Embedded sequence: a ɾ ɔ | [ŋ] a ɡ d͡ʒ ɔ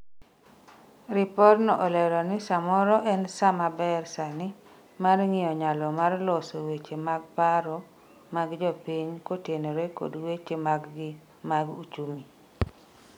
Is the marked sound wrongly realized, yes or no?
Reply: yes